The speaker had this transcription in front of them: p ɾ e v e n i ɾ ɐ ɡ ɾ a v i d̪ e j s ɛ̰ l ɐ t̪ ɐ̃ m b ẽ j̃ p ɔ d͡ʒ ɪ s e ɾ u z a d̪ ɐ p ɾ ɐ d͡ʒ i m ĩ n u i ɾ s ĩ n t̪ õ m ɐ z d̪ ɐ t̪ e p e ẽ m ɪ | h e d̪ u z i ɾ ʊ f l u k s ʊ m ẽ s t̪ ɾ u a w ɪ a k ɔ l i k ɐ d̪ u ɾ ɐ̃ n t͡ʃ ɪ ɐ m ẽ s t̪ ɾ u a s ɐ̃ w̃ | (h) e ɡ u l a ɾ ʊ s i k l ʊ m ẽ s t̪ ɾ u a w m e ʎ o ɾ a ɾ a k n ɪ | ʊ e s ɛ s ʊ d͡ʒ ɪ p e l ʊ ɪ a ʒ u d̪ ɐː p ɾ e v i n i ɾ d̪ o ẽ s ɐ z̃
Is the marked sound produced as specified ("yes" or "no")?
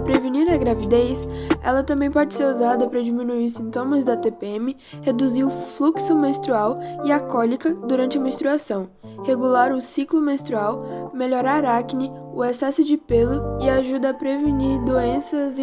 yes